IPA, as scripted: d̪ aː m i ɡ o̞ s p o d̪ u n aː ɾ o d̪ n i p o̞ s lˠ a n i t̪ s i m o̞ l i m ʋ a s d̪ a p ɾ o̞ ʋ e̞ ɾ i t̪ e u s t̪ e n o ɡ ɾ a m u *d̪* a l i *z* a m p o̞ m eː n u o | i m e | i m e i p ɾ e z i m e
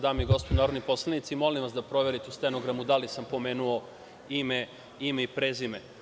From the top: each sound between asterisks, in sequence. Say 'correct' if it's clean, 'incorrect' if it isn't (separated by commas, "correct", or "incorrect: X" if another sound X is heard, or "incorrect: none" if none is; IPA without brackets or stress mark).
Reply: correct, incorrect: s